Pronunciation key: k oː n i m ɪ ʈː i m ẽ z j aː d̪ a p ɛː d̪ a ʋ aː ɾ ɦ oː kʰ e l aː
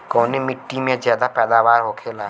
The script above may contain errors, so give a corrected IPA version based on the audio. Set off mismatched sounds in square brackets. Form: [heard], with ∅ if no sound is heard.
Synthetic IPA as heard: k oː n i m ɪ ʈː i m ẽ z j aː d̪ a p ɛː d̪ a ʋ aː ɾ ɦ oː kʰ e l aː